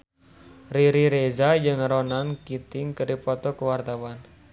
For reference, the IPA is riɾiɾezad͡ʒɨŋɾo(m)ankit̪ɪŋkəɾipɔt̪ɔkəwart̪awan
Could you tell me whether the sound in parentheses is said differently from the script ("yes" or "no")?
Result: yes